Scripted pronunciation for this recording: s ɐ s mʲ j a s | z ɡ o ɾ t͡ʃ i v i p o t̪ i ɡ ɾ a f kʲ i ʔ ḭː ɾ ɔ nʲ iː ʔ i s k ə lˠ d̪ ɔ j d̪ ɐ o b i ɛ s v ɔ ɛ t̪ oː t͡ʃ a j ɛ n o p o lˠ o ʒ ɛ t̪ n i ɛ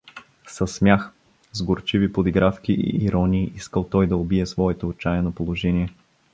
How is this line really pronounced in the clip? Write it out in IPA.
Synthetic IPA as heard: s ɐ s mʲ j a x | z ɡ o ɾ t͡ʃ i v i p o d̪ i ɡ ɾ a f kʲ i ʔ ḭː ɾ ɔ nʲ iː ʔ i s k ə lˠ t̪ ɔ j d̪ ɐ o b i ɛ s v ɔ ɛ t̪ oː t͡ʃ a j ɛ n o p o lˠ o ʒ ɛ n i ɛ